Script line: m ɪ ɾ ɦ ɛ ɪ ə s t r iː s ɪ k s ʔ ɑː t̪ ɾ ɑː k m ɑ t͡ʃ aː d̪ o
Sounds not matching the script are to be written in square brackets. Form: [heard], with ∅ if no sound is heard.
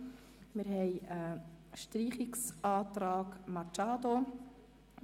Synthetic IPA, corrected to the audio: m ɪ ɾ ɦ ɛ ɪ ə [ʃ] t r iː [χ] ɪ k s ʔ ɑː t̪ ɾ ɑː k m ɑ t͡ʃ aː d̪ o